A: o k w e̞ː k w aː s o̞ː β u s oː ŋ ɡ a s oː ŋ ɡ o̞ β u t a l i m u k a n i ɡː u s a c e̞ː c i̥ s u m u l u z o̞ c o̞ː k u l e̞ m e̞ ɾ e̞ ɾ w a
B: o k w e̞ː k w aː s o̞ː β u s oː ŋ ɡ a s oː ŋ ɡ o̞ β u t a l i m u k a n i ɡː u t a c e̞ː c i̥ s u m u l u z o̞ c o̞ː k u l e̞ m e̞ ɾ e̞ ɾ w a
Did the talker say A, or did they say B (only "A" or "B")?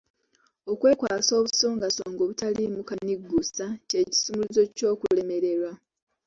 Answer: A